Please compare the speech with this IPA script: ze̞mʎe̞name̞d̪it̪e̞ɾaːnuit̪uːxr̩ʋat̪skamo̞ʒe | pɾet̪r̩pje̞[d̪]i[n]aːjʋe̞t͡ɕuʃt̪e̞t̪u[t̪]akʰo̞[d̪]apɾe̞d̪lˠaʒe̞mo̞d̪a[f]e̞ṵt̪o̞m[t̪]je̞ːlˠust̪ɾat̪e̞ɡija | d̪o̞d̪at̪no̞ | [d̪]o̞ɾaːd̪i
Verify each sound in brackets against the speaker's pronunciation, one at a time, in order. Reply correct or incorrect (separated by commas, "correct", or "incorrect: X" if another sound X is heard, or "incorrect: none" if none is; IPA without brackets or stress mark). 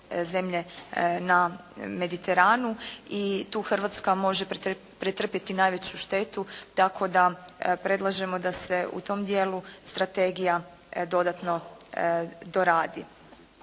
incorrect: t̪, correct, correct, correct, incorrect: s, incorrect: d̪, correct